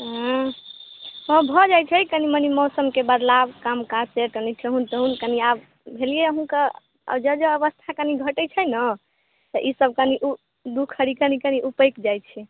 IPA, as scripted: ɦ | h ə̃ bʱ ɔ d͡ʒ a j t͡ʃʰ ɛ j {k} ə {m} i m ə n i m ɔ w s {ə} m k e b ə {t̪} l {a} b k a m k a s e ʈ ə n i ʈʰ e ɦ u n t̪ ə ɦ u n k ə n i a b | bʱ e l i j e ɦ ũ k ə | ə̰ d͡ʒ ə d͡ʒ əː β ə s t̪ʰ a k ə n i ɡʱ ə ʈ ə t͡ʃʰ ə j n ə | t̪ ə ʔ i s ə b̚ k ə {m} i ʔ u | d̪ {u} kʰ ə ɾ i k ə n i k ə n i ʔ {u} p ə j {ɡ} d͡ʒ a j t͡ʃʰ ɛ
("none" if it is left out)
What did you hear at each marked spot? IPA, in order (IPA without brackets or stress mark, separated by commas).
k, n, ə, d̪, a, n, u, u, k